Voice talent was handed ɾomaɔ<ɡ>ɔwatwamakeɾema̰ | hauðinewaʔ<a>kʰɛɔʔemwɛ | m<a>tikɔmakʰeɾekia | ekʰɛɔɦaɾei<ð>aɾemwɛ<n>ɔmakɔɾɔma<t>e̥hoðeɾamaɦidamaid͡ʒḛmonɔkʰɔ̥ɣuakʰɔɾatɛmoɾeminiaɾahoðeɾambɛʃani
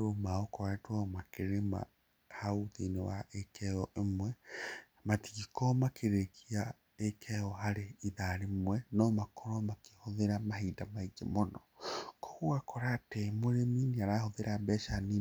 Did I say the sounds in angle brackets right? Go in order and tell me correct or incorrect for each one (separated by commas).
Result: incorrect, incorrect, correct, correct, correct, incorrect